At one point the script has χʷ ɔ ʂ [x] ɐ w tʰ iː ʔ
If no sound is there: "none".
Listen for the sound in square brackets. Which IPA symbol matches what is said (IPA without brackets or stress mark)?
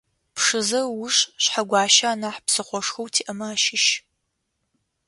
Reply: x